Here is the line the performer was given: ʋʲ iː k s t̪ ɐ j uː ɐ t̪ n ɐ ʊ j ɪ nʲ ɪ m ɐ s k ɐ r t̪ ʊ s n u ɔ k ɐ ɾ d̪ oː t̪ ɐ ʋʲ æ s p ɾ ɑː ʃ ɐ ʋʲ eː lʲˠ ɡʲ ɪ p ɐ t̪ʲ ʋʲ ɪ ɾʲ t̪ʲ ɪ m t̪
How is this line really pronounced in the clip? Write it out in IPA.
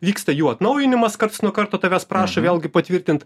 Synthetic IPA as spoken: ʋʲ iː k s t̪ ɐ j uː ɐ t̪ n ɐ ʊ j ɪ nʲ ɪ m ɐ s k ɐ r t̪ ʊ s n u ɔ k ɐ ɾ t̪ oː t̪ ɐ ʋʲ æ s p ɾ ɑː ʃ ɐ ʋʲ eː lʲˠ ɡʲ ɪ p ɐ t̪ʲ ʋʲ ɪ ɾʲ t̪ʲ ɪ n t̪